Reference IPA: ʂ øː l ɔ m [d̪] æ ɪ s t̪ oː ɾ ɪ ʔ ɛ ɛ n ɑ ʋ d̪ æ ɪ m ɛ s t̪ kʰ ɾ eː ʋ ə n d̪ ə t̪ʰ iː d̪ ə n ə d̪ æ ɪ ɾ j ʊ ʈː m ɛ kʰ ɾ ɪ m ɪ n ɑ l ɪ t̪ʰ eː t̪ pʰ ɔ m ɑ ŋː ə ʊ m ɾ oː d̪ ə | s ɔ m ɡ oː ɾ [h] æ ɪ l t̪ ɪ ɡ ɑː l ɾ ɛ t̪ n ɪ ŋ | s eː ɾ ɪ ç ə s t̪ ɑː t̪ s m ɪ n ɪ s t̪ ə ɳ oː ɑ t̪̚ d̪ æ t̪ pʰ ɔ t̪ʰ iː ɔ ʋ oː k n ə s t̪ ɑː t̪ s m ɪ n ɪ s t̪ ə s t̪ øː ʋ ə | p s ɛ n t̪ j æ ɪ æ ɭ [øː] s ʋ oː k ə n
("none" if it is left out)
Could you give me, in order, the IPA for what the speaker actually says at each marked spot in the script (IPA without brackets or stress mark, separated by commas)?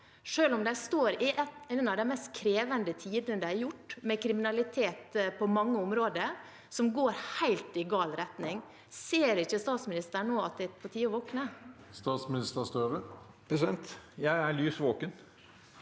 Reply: d̪, h, yː